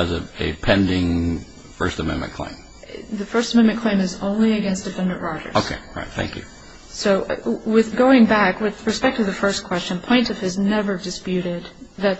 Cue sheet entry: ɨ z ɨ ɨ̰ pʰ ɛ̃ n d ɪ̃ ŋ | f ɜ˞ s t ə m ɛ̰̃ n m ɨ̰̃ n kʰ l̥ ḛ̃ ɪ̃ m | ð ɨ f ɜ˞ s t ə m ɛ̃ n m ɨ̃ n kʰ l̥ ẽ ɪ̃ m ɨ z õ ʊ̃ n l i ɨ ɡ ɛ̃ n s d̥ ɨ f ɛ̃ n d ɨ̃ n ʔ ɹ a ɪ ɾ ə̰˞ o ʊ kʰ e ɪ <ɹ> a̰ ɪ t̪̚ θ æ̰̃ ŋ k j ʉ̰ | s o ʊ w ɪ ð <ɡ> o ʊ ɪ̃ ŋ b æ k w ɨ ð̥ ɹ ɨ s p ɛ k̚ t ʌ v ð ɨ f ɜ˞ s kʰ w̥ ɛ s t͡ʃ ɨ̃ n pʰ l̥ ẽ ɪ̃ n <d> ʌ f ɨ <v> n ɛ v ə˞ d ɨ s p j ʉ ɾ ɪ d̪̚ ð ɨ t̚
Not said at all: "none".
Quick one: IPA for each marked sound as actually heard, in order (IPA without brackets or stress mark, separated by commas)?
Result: ɹ, ɡ, t, z